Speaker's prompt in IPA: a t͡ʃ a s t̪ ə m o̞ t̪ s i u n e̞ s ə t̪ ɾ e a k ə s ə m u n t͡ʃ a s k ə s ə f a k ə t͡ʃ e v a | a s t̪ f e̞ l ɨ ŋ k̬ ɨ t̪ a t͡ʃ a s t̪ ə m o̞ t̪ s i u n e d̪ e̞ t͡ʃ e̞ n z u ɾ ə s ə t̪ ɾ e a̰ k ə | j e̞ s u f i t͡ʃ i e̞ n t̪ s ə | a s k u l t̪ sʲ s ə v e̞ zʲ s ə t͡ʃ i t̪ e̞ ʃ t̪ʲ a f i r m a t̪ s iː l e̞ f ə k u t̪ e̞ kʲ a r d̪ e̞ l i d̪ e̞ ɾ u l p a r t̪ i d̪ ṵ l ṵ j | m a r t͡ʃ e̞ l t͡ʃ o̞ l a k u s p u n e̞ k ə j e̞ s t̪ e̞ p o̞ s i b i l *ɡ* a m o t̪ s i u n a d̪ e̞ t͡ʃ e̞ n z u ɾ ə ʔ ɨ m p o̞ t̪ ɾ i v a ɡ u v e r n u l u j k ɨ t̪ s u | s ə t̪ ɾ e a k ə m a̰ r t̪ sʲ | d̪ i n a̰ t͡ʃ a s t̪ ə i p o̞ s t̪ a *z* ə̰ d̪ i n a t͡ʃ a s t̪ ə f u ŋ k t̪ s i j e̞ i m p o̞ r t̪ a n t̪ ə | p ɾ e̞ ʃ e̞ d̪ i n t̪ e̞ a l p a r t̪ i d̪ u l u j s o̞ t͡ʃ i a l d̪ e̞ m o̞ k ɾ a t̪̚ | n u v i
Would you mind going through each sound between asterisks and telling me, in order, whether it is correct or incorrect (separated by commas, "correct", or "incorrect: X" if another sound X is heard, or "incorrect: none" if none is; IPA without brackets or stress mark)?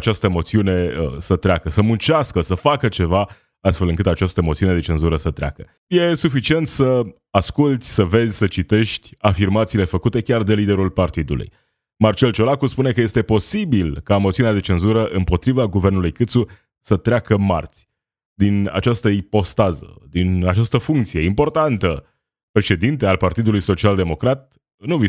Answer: incorrect: k, correct